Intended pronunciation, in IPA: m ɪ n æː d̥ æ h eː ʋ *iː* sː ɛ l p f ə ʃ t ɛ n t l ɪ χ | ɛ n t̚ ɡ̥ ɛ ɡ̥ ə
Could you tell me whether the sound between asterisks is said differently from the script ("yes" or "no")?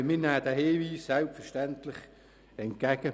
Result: no